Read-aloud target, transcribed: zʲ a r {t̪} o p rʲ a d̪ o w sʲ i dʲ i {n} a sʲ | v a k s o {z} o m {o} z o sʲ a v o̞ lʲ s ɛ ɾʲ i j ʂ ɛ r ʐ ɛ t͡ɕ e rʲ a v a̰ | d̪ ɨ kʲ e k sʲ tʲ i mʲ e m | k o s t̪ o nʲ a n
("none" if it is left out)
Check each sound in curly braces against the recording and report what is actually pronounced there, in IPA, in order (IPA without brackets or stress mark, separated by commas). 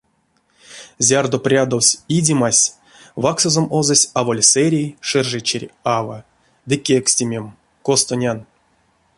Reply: d̪, m, z, o